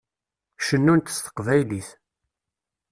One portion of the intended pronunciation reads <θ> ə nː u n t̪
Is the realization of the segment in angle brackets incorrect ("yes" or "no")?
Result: yes